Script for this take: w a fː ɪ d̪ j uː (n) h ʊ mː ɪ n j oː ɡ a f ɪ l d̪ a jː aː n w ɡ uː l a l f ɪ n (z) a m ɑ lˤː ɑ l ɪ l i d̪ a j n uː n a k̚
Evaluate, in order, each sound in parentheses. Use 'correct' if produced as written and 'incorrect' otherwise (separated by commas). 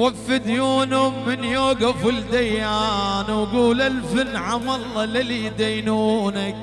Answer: correct, incorrect